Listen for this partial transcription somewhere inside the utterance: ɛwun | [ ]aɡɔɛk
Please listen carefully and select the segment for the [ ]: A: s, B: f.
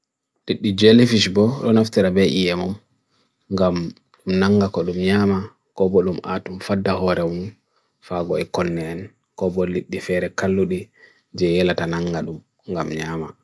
B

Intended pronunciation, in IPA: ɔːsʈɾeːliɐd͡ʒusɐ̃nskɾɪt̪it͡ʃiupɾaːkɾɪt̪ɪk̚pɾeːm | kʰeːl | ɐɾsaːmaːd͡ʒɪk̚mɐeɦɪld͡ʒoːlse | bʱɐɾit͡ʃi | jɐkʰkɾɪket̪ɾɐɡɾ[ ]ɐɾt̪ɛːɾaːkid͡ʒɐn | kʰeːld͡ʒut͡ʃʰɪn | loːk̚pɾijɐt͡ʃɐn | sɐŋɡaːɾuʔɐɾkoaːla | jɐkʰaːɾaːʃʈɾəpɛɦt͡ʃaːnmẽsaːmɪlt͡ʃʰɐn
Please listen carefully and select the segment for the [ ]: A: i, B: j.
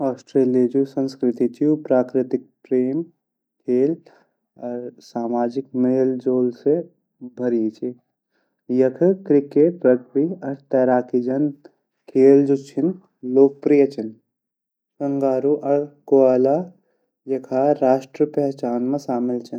A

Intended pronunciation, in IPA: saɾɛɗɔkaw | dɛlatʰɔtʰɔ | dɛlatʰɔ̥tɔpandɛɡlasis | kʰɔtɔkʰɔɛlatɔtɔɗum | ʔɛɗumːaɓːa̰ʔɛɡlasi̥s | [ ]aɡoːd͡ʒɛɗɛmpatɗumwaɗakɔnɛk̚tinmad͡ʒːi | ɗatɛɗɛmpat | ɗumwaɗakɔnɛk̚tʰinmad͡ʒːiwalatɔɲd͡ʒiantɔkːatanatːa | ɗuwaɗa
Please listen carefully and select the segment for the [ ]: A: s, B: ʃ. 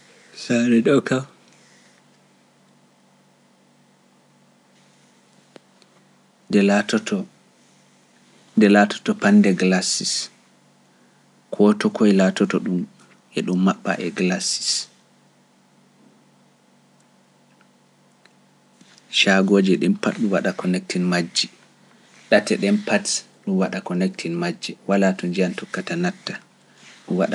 B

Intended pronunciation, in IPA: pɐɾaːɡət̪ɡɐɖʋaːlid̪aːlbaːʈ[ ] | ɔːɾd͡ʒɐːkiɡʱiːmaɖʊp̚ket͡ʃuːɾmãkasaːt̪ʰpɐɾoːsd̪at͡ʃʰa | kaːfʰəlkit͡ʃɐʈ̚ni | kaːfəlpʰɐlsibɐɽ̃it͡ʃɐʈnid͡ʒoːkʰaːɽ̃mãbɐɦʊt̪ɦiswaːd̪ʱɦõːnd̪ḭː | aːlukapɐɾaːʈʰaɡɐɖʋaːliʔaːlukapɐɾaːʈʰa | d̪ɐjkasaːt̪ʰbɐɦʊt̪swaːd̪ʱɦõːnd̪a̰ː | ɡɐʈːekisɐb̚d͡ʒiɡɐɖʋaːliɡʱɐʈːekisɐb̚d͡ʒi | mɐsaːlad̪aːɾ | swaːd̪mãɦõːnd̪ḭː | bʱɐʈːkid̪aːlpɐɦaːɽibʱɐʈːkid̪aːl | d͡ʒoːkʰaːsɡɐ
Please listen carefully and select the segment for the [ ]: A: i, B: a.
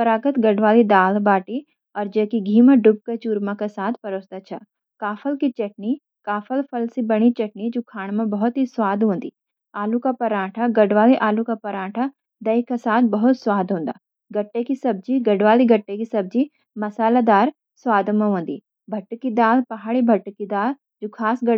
A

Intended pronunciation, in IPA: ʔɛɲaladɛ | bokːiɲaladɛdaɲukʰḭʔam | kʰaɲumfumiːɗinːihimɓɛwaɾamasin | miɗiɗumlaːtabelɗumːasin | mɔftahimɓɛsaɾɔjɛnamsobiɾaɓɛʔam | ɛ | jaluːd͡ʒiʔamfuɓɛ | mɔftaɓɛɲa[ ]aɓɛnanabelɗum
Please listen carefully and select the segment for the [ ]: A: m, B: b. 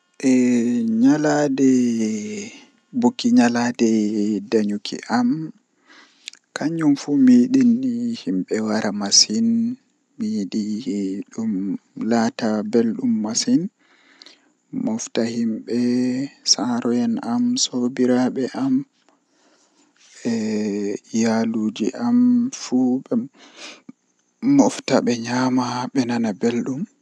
A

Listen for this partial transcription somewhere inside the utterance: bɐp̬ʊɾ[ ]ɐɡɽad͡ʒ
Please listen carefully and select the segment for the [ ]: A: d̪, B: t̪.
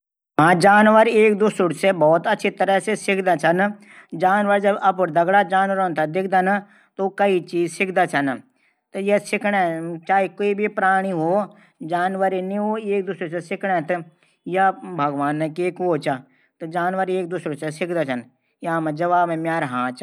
A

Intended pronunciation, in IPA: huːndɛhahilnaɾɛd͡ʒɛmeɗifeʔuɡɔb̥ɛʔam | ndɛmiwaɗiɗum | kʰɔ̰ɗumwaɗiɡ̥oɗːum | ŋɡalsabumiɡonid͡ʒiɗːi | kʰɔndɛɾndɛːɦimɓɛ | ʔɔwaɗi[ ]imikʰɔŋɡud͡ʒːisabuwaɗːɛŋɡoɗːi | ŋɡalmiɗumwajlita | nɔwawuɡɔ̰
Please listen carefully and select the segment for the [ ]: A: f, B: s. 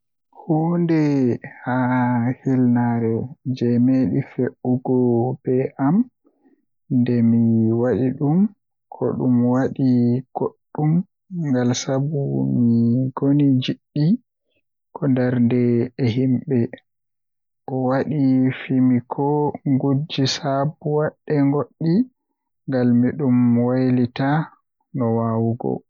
A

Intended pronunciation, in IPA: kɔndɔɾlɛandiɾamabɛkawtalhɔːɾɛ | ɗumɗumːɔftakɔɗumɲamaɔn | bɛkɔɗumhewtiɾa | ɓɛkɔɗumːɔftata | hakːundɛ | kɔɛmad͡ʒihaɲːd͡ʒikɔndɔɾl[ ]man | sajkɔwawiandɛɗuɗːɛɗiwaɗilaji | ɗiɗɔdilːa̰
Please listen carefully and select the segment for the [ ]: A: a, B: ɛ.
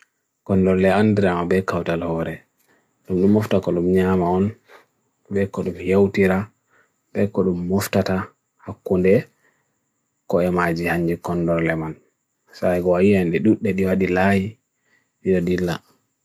B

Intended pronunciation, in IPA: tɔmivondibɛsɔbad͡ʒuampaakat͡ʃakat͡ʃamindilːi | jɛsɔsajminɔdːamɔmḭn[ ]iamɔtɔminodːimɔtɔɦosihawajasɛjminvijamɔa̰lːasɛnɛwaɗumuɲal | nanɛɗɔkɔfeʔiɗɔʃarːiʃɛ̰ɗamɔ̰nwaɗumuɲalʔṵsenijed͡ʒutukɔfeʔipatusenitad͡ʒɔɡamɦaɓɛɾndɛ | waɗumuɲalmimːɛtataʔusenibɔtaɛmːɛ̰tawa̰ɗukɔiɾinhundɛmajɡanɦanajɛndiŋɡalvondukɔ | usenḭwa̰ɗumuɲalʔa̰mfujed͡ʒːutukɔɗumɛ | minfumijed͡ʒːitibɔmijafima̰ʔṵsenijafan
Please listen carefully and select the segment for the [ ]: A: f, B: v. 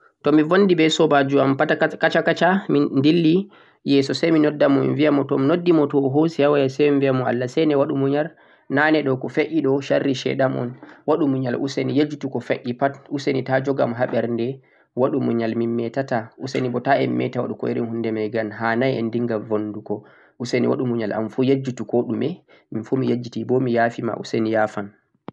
B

